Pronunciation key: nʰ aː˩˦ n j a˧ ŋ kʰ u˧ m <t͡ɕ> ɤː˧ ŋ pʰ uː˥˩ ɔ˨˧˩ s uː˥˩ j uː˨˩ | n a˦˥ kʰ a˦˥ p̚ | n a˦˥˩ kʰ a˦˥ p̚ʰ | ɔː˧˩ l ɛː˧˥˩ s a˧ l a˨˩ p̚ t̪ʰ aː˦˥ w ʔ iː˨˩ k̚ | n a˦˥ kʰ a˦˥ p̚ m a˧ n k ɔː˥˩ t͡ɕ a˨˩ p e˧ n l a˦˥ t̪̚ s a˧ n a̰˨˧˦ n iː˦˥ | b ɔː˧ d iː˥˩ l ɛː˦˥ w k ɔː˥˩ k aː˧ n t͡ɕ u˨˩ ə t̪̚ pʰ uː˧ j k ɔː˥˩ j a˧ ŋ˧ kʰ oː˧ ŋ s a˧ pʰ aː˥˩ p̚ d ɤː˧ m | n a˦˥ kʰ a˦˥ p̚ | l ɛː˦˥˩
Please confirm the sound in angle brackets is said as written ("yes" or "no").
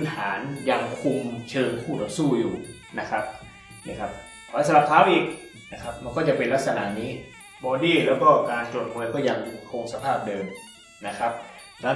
no